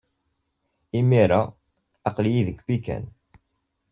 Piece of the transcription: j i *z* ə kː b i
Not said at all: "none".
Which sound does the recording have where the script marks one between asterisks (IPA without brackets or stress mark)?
ð